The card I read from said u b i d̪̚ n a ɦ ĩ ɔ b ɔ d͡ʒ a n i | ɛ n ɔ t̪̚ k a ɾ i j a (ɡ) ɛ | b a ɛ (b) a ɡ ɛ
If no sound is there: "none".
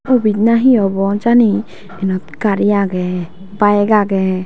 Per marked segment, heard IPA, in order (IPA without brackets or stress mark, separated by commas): ɡ, ɡ